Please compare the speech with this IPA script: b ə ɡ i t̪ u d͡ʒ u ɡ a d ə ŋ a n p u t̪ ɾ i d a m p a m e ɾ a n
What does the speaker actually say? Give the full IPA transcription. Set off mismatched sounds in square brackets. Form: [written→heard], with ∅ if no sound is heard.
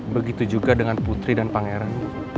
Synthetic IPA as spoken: b ə ɡ i t̪ u d͡ʒ u ɡ a d ə ŋ a n p u t̪ ɾ i d a [m→n] p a [m→ŋ] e ɾ a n